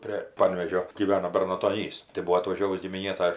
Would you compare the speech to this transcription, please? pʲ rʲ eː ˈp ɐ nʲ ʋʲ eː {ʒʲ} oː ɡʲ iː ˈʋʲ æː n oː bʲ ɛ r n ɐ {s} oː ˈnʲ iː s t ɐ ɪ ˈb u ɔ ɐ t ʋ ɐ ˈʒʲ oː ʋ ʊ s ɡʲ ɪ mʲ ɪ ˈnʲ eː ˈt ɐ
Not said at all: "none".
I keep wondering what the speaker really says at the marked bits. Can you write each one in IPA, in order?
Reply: ʒʲ, t

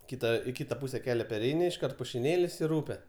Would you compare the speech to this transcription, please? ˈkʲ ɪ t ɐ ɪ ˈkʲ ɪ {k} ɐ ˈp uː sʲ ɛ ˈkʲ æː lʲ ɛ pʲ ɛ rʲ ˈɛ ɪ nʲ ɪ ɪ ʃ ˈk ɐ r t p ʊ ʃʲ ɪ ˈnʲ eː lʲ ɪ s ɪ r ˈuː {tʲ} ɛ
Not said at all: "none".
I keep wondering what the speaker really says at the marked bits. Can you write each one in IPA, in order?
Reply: t, pʲ

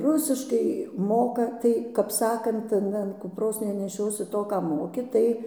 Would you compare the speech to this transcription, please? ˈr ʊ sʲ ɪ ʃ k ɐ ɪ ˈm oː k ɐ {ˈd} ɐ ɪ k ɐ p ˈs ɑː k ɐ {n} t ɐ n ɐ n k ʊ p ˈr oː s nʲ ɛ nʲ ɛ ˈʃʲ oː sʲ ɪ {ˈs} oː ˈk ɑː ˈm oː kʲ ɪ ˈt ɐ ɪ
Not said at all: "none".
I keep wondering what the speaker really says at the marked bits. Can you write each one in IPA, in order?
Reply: t, n, t

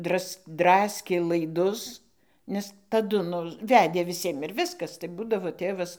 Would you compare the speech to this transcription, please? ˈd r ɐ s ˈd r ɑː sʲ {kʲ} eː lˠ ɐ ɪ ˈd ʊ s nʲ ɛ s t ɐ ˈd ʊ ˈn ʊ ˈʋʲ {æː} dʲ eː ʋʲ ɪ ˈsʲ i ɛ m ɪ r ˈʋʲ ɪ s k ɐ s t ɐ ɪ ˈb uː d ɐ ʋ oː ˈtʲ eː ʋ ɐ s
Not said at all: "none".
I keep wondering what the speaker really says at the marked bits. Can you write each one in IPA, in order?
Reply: kʲ, æː

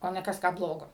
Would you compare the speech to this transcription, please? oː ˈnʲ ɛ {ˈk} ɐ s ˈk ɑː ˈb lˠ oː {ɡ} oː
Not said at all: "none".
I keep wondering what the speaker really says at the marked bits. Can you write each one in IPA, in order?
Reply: k, ɡ

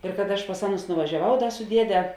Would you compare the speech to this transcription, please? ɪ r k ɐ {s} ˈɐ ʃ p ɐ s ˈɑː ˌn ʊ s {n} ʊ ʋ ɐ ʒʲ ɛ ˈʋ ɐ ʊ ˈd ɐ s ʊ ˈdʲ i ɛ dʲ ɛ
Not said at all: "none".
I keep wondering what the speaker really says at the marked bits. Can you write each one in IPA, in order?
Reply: t, n

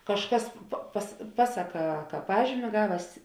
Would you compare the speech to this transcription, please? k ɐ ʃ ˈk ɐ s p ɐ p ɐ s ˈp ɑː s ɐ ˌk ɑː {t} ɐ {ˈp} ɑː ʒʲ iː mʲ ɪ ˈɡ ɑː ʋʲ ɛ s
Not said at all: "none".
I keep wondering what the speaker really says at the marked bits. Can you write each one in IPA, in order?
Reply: k, p

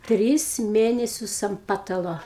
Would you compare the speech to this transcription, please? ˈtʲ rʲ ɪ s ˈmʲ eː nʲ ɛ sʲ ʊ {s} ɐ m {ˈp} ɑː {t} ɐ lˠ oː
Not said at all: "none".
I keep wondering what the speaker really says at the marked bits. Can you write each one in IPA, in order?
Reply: s, p, t

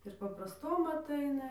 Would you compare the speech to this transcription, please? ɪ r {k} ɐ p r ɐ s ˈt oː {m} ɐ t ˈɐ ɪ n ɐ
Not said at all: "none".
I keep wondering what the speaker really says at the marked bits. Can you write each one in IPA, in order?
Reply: p, m

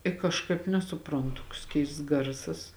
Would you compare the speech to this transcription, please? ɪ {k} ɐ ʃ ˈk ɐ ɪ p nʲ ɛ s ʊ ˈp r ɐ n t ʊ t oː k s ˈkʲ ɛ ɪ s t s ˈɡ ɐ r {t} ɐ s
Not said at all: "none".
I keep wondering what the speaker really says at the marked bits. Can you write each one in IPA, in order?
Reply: k, s

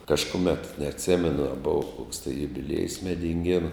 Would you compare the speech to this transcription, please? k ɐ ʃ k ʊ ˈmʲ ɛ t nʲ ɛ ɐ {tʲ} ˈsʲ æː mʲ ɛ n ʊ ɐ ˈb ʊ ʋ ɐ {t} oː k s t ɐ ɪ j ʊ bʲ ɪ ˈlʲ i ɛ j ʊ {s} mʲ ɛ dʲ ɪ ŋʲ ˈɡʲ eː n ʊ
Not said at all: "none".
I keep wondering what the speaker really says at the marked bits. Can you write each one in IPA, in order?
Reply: tʲ, k, s

